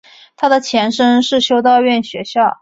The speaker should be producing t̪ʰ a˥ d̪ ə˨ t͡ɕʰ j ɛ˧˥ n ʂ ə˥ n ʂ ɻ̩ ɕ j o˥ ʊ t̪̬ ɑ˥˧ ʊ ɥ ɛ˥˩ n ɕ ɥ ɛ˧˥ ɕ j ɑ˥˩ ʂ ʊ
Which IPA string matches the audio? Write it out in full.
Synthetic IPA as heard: t̪ʰ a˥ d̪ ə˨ t͡ɕʰ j ɛ˧˥ n ʂ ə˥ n ʂ ɻ̩ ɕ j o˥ ʊ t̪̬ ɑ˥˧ ʊ ɥ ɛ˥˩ n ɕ ɥ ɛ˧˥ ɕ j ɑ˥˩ ʊ